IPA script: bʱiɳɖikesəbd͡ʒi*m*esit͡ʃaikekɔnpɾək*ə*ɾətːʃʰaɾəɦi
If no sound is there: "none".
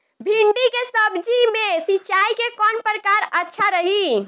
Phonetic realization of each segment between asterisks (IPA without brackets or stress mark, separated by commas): m, a